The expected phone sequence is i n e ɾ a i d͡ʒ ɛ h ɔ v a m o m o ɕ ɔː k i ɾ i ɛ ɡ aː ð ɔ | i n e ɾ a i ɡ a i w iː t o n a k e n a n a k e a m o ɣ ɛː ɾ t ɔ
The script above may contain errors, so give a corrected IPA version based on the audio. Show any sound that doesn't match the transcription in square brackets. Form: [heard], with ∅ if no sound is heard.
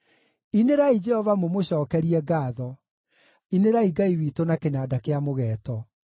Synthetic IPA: i n e ɾ a i d͡ʒ ɛ h ɔ v a m o m o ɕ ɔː k [ɛ] ɾ i ɛ ɡ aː ð ɔ | i n e ɾ a i ɡ a i w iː t o n a k e n a [d] a k e a m o ɣ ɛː [∅] t ɔ